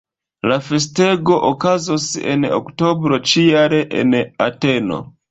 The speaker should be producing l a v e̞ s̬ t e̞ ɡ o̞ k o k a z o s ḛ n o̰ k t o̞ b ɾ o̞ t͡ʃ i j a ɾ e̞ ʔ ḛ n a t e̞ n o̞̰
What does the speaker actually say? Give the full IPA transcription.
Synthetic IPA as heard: l a f e̞ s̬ t e̞ ɡ o̞ ʔ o k a z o s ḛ n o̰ k t o̞ b ɾ o̞ t͡ʃ i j a ɾ e̞ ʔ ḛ n a t e̞ n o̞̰